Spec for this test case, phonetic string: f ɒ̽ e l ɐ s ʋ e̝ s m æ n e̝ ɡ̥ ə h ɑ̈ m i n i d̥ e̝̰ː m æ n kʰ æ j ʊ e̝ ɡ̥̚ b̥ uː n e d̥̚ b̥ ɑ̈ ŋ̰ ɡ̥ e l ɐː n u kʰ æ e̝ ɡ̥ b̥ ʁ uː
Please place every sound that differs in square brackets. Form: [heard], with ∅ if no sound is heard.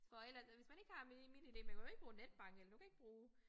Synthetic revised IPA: f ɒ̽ e l ɐ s ʋ e̝ s m æ n e̝ ɡ̥ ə h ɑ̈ m i n i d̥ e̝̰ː m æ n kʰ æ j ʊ e̝ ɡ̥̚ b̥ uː n e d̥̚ b̥ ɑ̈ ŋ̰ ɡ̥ e l [ɐ] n u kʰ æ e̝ ɡ̥ b̥ ʁ uː